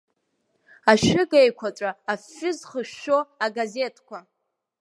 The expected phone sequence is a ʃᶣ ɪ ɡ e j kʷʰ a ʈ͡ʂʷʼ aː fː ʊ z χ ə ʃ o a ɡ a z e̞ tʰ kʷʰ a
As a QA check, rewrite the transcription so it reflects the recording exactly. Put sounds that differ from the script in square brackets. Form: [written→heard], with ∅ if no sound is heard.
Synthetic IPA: a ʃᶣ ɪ ɡ e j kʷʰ a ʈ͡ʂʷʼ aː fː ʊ z χ ə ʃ o a ɡ a z e̞ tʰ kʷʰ a